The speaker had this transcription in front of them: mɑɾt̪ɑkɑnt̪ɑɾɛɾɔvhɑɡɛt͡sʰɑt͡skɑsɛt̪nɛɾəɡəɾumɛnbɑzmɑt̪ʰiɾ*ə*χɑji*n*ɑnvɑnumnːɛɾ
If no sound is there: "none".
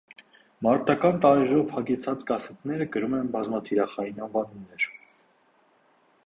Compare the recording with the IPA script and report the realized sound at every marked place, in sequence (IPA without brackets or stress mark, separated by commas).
ɑ, n